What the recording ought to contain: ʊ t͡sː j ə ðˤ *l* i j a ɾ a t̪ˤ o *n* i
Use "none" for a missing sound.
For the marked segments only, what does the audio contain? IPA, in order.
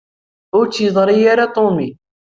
ɾ, m

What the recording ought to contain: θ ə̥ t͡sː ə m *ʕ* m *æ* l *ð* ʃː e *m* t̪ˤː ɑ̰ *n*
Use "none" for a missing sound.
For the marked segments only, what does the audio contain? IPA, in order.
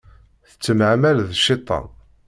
ʕ, æ, ð, none, n

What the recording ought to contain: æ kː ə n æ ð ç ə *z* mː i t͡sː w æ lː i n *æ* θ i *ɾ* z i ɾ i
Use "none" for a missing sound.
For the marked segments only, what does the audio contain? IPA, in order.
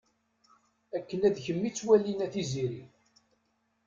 none, æ, none

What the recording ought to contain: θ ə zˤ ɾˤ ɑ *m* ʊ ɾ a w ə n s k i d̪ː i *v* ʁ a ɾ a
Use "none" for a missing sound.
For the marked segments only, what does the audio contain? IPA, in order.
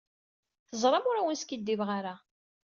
m, v

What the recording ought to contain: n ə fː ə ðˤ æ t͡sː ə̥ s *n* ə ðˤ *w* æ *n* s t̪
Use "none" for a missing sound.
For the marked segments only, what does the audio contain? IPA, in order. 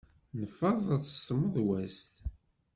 m, w, none

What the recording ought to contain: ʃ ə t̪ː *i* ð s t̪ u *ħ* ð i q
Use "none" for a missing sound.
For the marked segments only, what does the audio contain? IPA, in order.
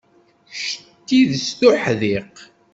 i, ħ

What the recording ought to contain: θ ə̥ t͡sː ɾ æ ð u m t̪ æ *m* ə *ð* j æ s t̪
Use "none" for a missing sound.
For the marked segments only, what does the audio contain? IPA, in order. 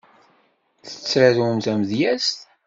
m, ð

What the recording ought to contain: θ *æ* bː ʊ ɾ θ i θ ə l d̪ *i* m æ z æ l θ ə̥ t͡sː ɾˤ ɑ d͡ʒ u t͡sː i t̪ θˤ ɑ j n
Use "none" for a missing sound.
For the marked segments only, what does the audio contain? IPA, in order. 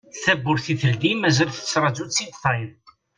æ, i

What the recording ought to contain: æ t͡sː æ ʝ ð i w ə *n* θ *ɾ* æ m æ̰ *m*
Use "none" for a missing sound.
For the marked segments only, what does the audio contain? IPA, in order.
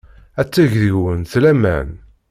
n, l, n

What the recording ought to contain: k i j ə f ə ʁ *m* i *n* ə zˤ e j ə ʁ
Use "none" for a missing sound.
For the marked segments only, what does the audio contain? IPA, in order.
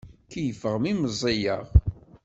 m, m

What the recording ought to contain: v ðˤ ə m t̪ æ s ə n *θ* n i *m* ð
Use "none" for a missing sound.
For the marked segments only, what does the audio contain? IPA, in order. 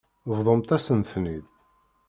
θ, none

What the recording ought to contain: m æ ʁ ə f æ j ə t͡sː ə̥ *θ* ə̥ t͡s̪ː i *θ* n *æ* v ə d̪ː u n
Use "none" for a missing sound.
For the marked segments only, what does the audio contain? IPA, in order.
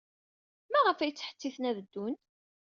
ħ, θ, æ

